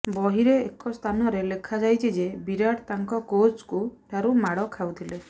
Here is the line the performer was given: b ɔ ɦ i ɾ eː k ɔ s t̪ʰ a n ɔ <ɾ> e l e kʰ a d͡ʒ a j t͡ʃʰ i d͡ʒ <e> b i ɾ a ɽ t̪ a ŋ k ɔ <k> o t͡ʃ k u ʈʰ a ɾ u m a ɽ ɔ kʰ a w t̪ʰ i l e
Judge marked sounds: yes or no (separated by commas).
yes, yes, yes